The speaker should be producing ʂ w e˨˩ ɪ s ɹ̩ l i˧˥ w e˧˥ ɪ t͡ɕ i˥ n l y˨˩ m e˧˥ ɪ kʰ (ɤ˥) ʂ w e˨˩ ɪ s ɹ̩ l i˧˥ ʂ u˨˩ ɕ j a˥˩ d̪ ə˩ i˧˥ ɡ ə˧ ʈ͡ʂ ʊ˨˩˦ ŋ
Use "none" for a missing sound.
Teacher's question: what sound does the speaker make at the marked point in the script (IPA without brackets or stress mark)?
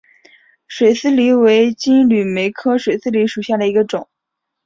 ɤ˥